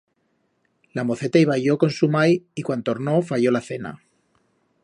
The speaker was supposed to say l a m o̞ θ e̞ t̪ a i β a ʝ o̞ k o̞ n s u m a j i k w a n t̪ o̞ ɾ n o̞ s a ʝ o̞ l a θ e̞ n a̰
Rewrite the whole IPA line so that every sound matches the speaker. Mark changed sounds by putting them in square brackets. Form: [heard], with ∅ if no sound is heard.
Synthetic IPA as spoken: l a m o̞ θ e̞ t̪ a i β a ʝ o̞ k o̞ n s u m a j i k w a n t̪ o̞ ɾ n o̞ [f] a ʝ o̞ l a θ e̞ n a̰